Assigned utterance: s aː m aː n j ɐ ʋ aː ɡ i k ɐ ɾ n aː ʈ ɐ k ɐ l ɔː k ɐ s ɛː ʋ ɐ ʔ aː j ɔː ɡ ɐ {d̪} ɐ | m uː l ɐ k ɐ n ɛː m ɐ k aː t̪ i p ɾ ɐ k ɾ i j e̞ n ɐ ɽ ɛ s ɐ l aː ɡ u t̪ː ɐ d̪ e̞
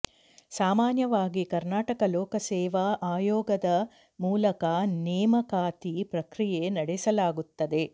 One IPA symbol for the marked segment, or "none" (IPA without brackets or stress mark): d̪